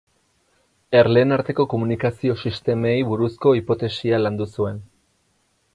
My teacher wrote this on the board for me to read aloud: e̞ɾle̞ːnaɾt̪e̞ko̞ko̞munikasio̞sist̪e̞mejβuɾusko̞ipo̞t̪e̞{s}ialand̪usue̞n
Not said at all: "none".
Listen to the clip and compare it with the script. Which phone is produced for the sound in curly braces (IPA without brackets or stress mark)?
s